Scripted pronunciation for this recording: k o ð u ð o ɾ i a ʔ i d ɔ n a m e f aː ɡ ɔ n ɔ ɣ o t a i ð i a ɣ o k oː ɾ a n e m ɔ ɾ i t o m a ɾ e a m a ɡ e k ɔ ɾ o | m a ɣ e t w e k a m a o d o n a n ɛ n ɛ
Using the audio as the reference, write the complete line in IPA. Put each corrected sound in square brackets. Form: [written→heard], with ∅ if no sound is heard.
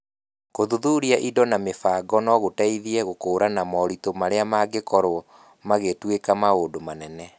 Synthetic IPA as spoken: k o ð u ð [o→u] ɾ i a ʔ i d ɔ n a m e f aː ɡ ɔ n ɔ ɣ o t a i ð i [a→ɛ] ɣ o k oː ɾ a n [e→a] m ɔ ɾ i t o m a ɾ e a m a ɡ e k ɔ ɾ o | m a ɣ e t w e k a m a o d o [n→m] a n ɛ n ɛ